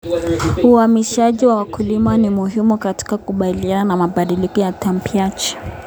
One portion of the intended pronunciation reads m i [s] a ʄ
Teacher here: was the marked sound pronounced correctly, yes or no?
no